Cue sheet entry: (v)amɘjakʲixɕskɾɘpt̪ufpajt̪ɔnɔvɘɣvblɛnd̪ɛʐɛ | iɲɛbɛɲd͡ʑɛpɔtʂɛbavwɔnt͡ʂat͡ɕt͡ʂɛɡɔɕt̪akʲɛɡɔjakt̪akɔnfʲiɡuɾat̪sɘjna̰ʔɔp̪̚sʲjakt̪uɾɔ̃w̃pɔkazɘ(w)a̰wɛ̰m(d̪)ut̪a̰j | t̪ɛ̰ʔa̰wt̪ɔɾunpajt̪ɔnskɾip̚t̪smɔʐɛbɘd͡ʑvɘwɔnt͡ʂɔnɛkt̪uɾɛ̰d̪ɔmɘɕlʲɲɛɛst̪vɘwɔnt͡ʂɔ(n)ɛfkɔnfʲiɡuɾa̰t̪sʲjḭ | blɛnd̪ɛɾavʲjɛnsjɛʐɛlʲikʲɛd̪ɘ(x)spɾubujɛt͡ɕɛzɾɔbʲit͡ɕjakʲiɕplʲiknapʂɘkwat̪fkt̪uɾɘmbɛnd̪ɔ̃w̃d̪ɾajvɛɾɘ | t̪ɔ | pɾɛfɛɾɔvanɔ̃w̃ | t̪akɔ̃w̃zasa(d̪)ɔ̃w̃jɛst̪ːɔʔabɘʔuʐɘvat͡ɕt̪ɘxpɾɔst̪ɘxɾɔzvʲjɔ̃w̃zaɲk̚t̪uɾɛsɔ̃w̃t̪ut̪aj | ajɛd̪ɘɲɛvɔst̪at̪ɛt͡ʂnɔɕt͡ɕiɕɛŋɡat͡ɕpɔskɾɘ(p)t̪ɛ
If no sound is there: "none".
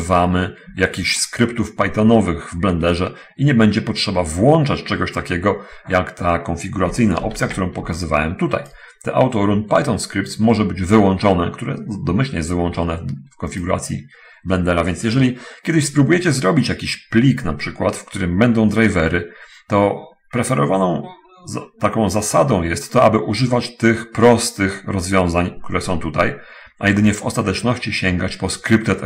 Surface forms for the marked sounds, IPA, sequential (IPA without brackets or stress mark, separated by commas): v, v, t̪, n, ɕ, d̪, p